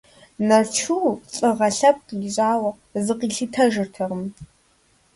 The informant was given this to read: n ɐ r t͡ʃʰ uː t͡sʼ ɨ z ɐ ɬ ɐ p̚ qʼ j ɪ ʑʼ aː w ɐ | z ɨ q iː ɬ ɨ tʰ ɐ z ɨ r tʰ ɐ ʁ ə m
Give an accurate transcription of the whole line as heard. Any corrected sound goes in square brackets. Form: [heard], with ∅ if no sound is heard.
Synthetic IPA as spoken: n ɐ r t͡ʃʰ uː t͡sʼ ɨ [ʁ] ɐ ɬ ɐ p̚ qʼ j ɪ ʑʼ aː w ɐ | z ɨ q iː ɬ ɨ tʰ ɐ [ʒ] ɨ r tʰ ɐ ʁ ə m